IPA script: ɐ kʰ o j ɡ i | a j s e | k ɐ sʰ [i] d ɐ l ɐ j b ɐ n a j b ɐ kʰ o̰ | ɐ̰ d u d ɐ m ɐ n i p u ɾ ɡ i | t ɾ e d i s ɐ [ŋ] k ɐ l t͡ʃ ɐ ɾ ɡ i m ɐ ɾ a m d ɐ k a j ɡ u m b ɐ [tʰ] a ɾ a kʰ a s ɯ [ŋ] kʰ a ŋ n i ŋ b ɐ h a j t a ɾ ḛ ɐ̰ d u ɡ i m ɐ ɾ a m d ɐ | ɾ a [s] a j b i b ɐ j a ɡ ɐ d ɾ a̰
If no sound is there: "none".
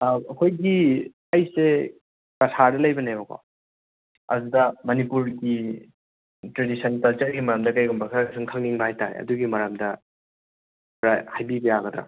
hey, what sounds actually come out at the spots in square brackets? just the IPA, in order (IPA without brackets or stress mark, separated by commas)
a, n, kʰ, ŋ, h